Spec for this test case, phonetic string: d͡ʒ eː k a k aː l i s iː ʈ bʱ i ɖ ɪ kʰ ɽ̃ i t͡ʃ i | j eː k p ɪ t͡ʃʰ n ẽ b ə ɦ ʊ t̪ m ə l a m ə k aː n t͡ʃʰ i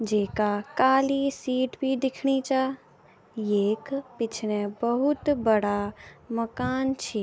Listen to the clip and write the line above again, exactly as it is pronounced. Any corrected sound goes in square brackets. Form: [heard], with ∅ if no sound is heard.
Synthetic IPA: d͡ʒ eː k a k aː l i s iː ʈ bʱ i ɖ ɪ kʰ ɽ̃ i t͡ʃ [a] | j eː k p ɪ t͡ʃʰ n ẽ b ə ɦ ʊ t̪ [b] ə [ɽ] a m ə k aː n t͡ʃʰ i